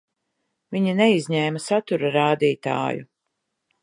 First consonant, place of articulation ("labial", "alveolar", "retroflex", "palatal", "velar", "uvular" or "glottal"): labial